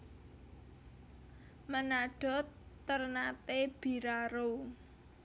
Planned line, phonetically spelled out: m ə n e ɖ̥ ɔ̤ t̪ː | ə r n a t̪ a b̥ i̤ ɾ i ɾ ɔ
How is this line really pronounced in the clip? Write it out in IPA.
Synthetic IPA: m ə n a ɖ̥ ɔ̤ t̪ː | ə r n a t̪ e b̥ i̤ ɾ a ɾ o